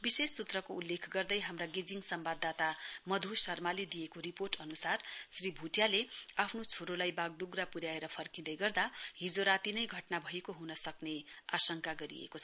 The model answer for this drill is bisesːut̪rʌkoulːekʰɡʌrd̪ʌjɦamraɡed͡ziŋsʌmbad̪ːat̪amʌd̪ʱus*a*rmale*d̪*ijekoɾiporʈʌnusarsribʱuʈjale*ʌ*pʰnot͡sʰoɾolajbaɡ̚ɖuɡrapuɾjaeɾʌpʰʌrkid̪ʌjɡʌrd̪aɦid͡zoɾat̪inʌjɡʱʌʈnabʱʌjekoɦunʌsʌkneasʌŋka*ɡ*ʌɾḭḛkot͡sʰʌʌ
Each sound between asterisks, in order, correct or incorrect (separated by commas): incorrect, correct, incorrect, correct